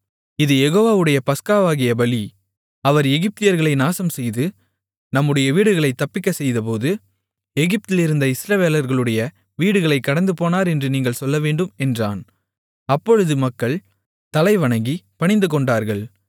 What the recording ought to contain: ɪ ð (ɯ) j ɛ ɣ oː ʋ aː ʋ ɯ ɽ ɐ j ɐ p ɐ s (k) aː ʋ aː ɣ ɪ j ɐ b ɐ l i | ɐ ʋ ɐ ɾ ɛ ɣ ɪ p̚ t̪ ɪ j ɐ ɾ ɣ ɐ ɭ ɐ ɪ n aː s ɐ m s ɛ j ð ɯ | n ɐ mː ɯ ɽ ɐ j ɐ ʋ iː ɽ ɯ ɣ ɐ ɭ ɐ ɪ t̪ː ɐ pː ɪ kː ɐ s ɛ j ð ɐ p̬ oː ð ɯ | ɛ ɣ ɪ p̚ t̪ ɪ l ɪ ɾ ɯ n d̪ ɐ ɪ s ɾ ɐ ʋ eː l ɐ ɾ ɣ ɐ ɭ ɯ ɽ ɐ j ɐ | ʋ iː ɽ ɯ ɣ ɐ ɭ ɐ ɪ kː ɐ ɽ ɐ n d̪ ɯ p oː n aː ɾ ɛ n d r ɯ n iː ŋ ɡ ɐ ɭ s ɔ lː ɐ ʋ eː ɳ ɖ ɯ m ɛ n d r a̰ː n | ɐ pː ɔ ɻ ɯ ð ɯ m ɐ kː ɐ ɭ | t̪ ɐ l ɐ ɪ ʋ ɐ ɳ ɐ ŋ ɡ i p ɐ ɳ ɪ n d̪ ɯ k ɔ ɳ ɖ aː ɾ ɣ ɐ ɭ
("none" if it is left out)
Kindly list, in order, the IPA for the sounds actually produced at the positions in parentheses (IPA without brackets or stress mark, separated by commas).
ɯ, k